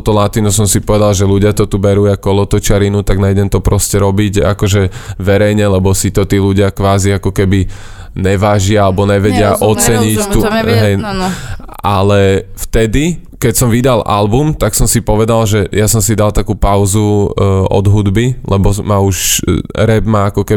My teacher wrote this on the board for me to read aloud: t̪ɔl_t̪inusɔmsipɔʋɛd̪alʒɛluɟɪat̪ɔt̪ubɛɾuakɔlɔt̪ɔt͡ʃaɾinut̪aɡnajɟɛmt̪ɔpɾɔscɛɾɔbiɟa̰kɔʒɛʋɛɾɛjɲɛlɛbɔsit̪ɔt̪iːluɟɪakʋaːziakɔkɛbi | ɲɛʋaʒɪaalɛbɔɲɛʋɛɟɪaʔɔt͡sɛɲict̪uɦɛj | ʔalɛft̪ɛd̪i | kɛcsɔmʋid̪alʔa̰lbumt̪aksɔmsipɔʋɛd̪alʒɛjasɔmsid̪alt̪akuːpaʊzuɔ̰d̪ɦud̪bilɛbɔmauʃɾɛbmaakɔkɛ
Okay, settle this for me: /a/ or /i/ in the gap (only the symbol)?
a